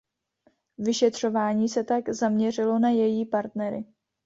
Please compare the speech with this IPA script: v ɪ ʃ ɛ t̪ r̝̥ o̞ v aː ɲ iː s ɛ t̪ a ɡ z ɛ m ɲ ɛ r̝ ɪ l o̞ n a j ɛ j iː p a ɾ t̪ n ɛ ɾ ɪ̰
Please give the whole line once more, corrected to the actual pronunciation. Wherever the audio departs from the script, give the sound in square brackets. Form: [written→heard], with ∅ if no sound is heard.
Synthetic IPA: v ɪ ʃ ɛ t̪ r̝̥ o̞ v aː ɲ iː s ɛ t̪ a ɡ z [ɛ→a] m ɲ ɛ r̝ ɪ l o̞ n a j ɛ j iː p a ɾ t̪ n ɛ ɾ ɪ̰